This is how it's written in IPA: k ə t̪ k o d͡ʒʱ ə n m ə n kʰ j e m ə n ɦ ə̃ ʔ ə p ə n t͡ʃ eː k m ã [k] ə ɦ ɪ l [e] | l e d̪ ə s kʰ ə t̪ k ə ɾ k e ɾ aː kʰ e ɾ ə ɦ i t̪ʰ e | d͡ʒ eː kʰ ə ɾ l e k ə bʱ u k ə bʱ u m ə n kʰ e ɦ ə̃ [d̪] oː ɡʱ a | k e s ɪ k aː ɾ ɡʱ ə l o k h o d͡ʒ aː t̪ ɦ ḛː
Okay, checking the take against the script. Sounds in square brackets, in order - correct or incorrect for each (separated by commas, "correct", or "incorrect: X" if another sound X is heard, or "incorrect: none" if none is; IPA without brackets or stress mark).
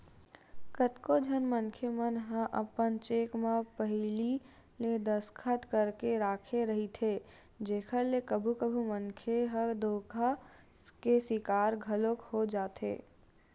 incorrect: p, incorrect: i, correct